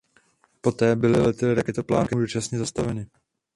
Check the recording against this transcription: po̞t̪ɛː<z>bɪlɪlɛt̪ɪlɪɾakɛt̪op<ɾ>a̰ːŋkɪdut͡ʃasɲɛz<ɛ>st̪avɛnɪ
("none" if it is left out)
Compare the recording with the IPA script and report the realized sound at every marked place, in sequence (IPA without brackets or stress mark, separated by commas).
none, l, a